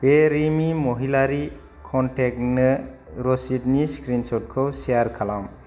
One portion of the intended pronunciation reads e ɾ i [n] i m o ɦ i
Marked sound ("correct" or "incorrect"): incorrect